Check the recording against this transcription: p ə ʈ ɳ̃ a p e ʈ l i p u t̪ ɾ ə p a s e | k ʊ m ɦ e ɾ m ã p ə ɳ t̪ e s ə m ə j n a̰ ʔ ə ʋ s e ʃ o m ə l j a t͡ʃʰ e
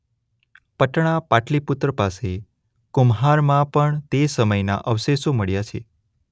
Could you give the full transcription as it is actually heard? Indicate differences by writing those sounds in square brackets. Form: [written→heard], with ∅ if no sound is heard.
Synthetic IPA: p ə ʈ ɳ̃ a p [e→a] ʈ l i p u t̪ ɾ ə p a s e | k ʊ m ɦ [e→a] ɾ m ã p ə ɳ t̪ e s ə m ə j n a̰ ʔ ə ʋ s e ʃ o m ə [l→ɭ] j a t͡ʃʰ e